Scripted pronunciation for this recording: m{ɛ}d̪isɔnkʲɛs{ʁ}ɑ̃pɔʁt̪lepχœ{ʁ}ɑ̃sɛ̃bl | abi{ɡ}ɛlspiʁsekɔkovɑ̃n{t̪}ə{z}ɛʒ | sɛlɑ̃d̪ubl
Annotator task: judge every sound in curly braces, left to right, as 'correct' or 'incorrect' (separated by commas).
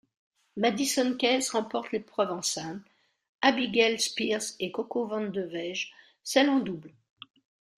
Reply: incorrect, correct, incorrect, correct, incorrect, incorrect